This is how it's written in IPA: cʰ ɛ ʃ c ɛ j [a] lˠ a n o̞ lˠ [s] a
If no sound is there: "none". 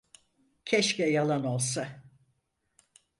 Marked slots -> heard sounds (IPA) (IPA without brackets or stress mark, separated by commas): a, s